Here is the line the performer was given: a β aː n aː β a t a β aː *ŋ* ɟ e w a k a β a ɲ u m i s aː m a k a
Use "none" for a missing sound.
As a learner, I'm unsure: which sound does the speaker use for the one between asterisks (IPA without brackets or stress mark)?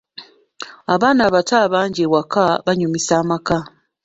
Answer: ɲ